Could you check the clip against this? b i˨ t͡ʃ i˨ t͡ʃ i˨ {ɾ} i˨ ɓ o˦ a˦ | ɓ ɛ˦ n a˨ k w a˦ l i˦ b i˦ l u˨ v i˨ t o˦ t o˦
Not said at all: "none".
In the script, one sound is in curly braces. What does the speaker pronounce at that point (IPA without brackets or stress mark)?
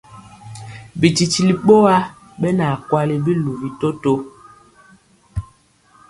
l